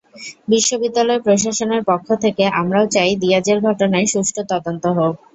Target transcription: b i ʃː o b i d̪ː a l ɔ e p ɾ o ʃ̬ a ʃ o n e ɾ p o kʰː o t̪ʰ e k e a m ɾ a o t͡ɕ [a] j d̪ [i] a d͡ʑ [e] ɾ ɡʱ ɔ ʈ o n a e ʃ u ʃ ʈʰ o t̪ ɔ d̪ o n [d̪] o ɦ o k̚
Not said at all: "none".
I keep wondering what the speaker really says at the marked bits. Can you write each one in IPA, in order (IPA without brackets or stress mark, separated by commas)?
a, i, e, t̪